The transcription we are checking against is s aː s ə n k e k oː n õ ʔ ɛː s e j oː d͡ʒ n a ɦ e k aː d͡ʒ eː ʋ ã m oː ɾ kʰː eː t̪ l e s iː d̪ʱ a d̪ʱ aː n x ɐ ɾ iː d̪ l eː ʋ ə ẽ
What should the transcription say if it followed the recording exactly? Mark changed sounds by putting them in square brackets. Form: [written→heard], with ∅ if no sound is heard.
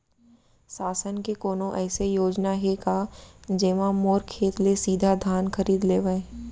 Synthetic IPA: s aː s ə n k e k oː n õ ʔ ɛː s e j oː d͡ʒ n a ɦ e k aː d͡ʒ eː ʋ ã m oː ɾ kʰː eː t̪ l e s iː d̪ʱ a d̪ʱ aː n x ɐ ɾ iː d̪ l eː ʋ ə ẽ